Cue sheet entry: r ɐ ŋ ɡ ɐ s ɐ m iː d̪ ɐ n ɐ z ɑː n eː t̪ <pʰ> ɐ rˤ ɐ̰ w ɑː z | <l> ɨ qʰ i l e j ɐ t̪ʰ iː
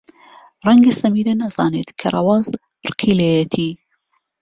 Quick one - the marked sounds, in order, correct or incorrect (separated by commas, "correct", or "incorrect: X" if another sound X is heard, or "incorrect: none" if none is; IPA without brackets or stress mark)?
incorrect: kʰ, incorrect: r